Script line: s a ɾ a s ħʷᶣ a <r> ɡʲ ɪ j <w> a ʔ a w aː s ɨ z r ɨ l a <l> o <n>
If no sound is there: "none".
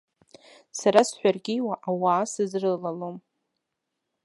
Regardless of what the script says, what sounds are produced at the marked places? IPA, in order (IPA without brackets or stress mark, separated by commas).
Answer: r, w, l, m